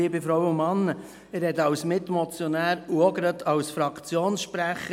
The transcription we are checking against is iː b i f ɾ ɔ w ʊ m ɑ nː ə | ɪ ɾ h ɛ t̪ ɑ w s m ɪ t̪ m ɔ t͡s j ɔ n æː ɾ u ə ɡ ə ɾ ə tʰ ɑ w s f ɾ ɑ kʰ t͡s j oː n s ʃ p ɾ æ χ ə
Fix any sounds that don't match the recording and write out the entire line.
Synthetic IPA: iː b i f ɾ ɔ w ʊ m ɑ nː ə | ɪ ɾ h ɛ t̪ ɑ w s m ɪ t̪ m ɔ t͡s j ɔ n æː ɾ u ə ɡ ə ɾ ə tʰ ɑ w s f ɾ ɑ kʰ t͡s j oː n s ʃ p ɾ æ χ ə